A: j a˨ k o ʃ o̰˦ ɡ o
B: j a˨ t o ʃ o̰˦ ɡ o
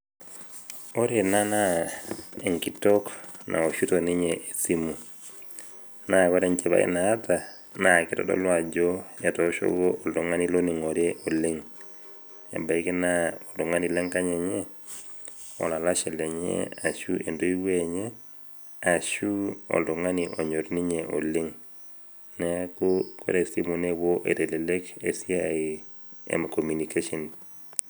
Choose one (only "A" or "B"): B